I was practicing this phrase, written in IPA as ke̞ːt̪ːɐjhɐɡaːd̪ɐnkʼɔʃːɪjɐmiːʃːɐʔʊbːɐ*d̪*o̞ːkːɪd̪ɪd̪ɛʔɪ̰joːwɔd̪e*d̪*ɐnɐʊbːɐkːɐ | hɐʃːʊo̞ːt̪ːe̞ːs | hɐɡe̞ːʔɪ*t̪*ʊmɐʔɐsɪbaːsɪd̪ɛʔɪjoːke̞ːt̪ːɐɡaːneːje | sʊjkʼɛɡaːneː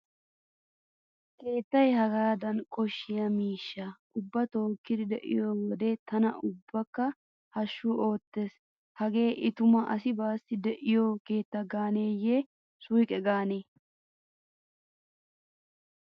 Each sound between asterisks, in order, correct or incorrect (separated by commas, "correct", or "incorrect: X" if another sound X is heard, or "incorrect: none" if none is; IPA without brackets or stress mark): incorrect: t̪, incorrect: t̪, correct